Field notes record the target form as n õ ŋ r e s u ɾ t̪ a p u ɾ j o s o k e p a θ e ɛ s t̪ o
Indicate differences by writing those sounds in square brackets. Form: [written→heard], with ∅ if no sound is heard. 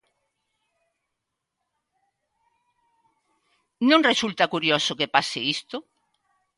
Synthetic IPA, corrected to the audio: n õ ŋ r e s u [ɾ→l] t̪ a [p→k] u ɾ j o s o k e p a [θ→s] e [ɛ→i] s t̪ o